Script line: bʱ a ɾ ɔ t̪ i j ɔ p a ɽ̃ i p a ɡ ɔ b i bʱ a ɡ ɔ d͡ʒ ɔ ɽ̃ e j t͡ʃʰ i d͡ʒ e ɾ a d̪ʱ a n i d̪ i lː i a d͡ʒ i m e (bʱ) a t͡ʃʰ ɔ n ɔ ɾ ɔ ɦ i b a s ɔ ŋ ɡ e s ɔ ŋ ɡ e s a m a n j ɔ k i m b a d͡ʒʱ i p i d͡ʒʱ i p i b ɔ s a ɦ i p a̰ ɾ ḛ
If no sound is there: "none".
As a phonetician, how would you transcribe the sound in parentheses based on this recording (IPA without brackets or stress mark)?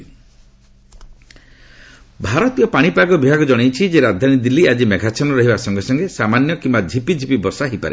ɡʱ